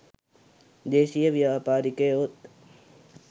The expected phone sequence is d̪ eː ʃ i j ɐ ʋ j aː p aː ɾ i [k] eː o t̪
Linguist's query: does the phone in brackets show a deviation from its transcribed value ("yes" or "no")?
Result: no